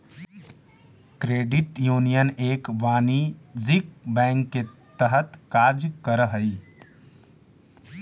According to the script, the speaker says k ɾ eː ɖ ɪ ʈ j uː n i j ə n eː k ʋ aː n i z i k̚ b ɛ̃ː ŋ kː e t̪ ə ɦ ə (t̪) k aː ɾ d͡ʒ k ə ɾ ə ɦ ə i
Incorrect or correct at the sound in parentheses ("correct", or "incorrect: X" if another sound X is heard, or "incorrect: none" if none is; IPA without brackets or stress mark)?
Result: correct